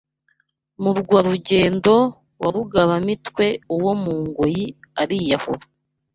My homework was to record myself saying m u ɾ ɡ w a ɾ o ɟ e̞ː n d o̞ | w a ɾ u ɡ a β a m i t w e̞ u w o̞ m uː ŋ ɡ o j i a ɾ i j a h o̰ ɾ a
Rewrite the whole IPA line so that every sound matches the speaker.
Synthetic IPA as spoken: m u ɾ ɡ w a ɾ u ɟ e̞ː n d o̞ | w a ɾ u ɡ a β a m i t w e̞ u w o̞ m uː ŋ ɡ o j i a ɾ i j a h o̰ ɾ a